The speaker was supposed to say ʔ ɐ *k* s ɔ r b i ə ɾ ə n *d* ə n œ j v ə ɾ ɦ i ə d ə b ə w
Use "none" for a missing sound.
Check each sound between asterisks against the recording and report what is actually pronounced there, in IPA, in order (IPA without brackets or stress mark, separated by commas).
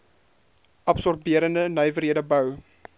p, d